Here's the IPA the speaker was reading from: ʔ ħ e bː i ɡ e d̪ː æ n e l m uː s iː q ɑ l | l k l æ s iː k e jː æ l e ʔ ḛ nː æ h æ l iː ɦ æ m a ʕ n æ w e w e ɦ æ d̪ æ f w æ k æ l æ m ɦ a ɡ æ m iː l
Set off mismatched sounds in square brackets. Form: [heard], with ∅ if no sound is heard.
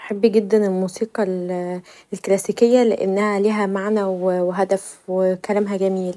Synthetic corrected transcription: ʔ ħ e bː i ɡ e d̪ː æ n e l m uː s iː q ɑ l | l k l æ s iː k e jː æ l e ʔ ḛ nː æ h æ l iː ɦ æ m a ʕ n æ w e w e ɦ æ d̪ æ f w [e] k æ l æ m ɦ [æ] ɡ æ m iː l